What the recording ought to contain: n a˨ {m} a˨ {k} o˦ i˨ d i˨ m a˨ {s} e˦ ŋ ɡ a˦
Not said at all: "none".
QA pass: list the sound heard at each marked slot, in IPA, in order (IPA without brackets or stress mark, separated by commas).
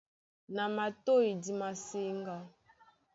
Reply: m, t, s